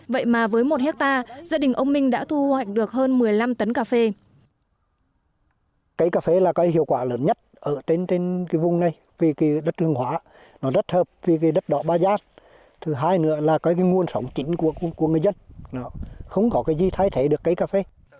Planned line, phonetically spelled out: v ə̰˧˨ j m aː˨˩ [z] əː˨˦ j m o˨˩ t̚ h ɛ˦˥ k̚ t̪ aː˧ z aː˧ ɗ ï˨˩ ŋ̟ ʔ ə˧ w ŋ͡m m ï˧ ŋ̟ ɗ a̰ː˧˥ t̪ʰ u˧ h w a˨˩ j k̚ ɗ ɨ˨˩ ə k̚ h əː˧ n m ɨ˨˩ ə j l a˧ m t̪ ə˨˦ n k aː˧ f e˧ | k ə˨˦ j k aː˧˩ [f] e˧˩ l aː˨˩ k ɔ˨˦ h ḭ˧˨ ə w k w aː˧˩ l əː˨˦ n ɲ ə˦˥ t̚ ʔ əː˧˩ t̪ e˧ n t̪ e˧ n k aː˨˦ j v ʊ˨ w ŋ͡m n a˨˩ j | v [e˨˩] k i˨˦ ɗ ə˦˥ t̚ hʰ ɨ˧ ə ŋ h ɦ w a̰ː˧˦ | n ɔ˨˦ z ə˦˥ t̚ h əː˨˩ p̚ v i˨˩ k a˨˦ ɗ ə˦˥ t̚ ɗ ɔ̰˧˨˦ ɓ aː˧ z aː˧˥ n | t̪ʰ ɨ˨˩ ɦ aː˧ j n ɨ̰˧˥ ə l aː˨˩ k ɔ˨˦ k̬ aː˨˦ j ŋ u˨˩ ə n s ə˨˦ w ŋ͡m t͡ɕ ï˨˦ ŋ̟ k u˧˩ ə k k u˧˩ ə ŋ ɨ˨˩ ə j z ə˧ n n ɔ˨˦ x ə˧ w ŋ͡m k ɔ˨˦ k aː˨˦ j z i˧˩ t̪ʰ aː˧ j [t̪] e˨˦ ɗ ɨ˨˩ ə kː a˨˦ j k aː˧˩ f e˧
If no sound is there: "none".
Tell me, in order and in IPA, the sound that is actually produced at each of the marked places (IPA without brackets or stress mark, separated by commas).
v, f, i˨˩, t̪ʰ